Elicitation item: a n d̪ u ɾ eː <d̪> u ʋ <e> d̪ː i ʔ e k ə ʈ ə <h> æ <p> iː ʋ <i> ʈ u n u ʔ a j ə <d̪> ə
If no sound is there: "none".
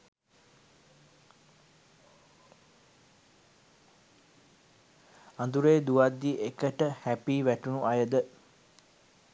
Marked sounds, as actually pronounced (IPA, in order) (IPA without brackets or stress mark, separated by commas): d̪, a, h, p, æ, d̪